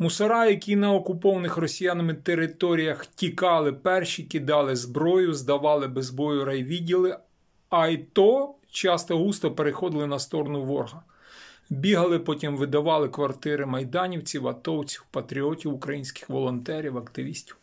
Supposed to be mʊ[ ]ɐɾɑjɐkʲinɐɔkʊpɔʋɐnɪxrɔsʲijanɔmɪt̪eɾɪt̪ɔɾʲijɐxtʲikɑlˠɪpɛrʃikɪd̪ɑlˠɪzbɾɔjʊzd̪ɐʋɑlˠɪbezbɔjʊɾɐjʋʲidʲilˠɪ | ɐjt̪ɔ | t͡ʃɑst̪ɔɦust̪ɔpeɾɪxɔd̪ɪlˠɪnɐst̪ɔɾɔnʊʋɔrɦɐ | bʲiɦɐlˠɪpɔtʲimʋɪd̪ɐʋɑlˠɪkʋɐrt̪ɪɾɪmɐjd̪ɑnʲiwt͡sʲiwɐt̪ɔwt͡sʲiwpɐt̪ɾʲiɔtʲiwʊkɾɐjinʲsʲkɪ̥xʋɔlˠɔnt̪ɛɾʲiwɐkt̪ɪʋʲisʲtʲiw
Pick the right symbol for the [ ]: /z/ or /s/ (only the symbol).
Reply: s